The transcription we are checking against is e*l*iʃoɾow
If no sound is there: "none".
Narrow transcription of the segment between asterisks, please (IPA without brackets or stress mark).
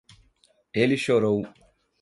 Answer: l